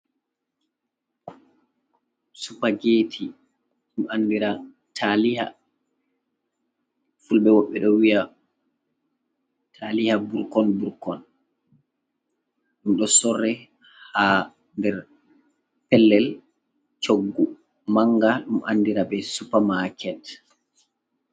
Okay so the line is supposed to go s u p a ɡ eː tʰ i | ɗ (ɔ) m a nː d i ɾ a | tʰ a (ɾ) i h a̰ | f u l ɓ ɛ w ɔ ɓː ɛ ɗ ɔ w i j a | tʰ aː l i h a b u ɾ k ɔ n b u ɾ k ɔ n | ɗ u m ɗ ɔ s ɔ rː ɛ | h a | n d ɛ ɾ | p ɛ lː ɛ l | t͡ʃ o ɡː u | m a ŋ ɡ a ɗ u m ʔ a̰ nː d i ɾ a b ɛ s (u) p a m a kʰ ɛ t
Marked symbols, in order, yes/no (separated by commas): no, no, yes